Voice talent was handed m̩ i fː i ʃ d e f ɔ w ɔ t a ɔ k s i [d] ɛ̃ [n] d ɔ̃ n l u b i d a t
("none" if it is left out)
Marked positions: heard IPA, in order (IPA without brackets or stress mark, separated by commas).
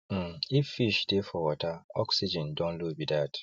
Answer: d͡ʒ, n